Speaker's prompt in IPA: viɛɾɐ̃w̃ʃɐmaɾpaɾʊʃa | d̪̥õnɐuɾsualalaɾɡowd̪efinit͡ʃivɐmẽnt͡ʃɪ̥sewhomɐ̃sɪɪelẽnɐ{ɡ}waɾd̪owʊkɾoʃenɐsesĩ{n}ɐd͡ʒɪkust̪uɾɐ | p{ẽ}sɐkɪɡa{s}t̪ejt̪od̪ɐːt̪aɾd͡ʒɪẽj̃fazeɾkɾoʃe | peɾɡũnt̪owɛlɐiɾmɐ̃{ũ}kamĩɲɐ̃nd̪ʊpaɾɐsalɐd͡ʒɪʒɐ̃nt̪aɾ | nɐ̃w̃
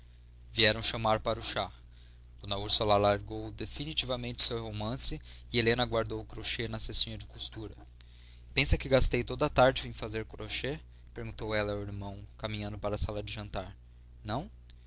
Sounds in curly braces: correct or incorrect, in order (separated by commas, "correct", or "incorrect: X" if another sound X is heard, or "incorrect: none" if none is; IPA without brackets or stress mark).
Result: correct, incorrect: ɲ, correct, correct, incorrect: w̃